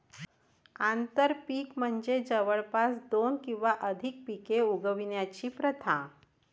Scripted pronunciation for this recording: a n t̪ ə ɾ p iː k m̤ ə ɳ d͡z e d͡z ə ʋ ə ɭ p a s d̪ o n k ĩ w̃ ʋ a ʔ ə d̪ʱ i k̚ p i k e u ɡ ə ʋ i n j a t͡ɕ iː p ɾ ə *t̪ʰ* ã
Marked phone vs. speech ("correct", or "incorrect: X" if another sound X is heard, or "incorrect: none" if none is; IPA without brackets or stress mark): correct